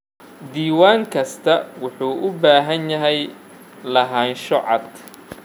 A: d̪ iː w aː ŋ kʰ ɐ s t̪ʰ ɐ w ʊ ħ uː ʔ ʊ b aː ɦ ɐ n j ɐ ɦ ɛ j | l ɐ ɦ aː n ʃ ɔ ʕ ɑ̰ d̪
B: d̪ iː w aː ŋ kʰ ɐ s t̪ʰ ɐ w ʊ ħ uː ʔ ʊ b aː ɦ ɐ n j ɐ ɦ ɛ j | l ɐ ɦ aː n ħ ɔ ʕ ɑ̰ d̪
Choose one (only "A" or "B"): A